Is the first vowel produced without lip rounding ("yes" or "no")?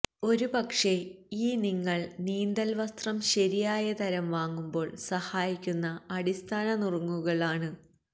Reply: no